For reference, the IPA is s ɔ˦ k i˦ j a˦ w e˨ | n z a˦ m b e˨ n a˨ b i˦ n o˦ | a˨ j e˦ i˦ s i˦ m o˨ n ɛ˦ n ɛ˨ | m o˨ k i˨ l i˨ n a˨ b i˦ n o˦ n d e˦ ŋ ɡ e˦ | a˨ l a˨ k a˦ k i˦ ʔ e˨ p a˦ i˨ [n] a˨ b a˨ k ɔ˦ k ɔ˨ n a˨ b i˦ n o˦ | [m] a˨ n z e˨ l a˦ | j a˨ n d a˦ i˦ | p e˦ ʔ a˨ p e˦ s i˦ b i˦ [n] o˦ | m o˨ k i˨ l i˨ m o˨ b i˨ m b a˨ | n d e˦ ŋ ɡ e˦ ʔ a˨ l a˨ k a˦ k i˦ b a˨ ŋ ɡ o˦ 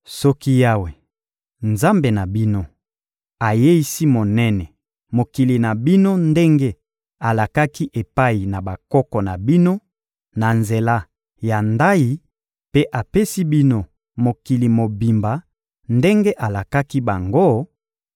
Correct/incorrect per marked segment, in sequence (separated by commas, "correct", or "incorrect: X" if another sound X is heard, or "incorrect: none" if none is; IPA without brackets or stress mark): correct, incorrect: n, correct